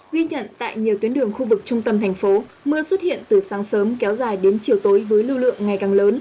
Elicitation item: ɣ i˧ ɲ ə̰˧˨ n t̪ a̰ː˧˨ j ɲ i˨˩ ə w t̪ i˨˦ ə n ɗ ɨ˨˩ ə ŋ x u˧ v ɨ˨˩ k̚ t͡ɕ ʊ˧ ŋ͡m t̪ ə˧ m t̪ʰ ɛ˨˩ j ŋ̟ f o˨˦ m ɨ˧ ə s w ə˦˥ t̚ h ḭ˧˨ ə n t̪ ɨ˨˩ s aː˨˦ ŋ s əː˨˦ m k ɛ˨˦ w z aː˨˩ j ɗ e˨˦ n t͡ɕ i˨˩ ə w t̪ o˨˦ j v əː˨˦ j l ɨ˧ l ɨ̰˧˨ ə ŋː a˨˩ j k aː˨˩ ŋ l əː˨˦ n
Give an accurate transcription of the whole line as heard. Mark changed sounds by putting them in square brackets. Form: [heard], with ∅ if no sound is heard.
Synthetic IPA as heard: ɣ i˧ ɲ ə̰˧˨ n t̪ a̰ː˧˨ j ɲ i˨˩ ə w t̪ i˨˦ ə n ɗ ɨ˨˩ ə ŋ x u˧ v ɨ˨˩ k̚ t͡ɕ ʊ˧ ŋ͡m t̪ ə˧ m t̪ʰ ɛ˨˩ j ŋ̟ f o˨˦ m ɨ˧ ə s w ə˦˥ t̚ h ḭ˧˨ ə n t̪ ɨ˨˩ s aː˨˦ ŋ s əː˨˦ m k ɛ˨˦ w z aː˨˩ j ɗ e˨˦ n t͡ɕ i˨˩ ə w t̪ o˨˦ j v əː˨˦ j l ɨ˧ l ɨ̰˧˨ ə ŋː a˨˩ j k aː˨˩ ŋ l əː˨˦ n